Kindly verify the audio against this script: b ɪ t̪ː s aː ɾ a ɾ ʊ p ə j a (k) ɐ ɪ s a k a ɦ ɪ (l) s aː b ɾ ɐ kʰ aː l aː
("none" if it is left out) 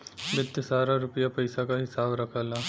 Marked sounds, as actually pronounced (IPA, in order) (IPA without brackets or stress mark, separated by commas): p, none